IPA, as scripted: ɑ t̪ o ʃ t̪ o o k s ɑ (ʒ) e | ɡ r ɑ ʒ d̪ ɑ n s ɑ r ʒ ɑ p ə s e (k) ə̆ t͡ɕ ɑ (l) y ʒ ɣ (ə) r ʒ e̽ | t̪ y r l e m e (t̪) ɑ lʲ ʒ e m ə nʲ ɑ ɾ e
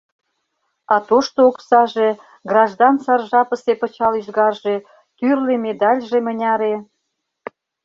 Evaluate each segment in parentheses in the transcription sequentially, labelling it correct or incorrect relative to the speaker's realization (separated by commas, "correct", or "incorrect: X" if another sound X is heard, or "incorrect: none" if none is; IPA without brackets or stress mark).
correct, incorrect: p, correct, incorrect: ɑ, incorrect: d̪